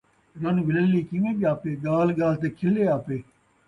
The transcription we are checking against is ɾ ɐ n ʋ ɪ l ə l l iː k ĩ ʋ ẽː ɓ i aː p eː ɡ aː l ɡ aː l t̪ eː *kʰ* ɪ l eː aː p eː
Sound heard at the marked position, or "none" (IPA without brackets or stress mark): kʰ